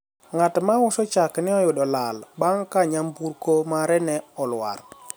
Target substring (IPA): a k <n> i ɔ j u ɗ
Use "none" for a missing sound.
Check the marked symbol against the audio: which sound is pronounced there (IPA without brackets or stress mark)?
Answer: n